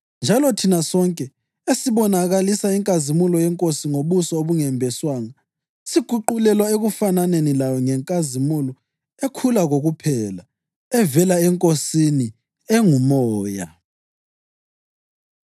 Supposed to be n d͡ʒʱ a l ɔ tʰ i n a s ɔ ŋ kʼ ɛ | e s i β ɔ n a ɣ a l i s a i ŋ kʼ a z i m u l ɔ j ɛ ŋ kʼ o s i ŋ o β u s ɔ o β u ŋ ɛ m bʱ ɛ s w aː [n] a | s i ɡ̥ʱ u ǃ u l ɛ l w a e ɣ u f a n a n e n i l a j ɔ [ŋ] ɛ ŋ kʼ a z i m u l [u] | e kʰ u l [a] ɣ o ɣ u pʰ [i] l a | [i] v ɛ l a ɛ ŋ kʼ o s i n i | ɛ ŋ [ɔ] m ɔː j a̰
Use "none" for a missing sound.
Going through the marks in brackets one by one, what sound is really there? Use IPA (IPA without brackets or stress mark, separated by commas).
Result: ŋ, ŋ, ɔ, a, ɛ, ɛ, u